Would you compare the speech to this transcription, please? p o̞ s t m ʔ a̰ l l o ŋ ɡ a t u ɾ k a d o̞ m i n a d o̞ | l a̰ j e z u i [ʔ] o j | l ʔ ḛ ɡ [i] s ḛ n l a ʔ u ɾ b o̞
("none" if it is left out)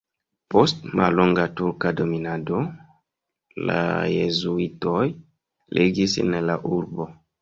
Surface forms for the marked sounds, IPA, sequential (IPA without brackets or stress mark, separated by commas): t, i